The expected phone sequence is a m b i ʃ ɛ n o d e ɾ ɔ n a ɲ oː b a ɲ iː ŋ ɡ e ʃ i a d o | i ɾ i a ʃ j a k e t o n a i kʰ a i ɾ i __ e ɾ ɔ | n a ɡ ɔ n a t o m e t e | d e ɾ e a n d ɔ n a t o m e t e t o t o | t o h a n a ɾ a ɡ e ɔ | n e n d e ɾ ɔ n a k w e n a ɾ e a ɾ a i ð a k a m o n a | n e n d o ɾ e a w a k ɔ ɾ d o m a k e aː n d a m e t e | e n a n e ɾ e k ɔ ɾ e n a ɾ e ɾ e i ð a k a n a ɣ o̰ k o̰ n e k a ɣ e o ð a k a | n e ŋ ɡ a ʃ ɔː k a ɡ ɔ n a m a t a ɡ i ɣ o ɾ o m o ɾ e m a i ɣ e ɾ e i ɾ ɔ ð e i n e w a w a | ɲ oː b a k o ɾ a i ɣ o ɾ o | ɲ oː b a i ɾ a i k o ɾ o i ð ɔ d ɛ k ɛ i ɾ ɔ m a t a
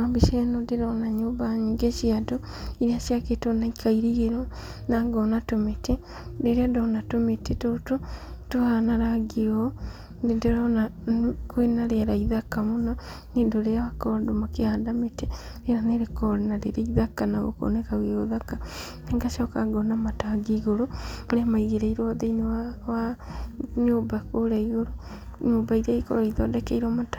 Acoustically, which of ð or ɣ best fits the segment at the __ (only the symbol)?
ɣ